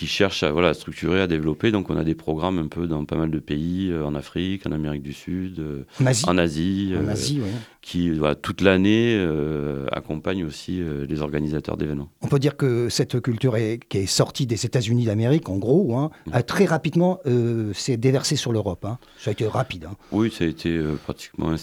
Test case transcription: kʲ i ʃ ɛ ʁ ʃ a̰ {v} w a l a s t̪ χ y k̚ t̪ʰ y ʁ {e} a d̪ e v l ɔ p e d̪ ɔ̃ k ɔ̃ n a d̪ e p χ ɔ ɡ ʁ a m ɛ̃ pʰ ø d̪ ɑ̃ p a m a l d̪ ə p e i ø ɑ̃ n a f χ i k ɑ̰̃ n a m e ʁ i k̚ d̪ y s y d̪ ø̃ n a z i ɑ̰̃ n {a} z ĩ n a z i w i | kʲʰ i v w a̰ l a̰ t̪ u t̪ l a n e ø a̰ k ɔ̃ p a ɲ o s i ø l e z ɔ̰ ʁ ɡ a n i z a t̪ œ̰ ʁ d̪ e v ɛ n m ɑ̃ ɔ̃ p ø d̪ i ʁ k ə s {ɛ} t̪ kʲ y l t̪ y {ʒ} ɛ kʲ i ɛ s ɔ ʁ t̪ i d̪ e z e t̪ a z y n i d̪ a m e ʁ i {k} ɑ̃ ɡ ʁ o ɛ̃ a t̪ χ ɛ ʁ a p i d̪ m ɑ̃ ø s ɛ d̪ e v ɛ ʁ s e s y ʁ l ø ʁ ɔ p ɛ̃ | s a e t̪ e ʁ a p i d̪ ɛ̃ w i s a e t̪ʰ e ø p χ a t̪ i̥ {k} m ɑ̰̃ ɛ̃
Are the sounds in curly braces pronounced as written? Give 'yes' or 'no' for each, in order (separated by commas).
yes, yes, yes, yes, no, yes, yes